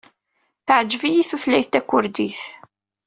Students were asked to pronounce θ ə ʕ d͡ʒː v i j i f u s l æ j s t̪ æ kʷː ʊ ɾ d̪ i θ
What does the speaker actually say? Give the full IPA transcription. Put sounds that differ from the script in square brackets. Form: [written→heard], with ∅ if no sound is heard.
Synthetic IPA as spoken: θ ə ʕ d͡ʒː v i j i [f→θ] u [s→θ] l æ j [s→θ] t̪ æ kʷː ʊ ɾ d̪ i θ